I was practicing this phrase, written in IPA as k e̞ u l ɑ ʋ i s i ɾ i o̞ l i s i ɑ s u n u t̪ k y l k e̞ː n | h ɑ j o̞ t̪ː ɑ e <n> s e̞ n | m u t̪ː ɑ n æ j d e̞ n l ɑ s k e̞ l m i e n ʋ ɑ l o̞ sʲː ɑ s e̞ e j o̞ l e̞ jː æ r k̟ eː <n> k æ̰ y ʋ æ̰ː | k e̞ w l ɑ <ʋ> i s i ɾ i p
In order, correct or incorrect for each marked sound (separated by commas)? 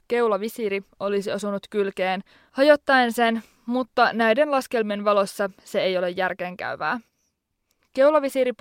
correct, incorrect, correct